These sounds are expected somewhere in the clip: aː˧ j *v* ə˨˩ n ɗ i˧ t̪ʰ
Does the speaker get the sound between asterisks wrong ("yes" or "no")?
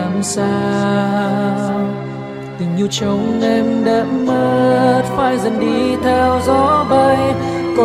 yes